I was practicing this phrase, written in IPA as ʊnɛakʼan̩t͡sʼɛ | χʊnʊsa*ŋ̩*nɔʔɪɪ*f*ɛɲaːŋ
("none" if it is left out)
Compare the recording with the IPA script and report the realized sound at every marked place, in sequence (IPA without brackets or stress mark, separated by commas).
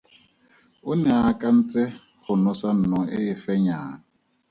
n̩, f